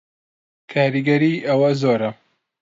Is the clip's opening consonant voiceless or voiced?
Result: voiceless